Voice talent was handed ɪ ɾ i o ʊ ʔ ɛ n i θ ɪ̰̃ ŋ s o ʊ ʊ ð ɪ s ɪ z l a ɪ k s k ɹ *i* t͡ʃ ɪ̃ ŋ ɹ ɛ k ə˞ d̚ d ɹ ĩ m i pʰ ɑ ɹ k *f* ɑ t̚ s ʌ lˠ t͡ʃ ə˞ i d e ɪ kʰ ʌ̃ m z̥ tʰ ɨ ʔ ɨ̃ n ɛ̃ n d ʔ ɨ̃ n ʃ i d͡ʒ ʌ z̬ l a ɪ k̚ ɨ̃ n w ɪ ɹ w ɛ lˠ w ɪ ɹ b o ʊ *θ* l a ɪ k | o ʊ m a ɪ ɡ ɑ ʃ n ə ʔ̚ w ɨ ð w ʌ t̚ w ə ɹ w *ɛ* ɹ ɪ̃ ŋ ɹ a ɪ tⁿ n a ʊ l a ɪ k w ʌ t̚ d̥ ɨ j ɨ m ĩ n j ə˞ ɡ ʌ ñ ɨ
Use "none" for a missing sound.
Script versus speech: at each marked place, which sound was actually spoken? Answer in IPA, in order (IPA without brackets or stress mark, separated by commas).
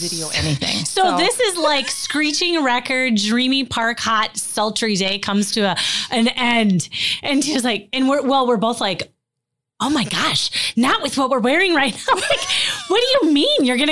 i, h, θ, ɛ